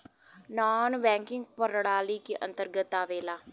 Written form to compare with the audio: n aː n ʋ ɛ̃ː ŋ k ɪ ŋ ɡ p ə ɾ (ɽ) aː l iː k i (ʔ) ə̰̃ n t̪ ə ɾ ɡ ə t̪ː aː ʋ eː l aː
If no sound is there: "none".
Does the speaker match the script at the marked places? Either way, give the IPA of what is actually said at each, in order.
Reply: ɽ, ʔ

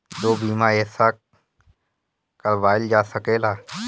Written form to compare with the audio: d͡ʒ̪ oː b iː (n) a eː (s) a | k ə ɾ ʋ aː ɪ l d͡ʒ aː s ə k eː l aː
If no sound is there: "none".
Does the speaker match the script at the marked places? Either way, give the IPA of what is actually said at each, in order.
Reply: m, s

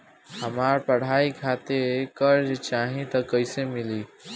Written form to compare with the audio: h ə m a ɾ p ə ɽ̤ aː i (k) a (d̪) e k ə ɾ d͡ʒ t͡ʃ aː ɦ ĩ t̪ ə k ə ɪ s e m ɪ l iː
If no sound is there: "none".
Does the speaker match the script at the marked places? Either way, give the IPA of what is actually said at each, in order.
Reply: kʰ, t̪

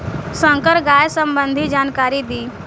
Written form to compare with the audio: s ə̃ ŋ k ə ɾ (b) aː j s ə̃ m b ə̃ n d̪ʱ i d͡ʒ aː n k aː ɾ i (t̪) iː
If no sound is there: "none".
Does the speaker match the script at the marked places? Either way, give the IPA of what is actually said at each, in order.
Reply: ɡ, d̪

